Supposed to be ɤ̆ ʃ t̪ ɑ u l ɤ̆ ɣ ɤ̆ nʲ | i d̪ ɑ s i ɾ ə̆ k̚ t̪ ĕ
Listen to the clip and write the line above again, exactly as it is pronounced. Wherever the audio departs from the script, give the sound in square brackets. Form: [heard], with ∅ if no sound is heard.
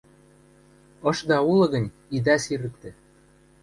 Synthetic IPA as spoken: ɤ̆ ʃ [d̪] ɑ u l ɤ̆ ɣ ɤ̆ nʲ | i d̪ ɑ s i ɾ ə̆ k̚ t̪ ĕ